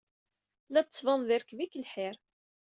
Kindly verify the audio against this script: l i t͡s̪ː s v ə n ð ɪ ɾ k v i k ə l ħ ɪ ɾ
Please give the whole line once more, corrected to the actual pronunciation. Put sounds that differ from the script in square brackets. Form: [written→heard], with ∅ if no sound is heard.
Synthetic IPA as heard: l [i→æ] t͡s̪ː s v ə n ð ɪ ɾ k v i k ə l ħ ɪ ɾ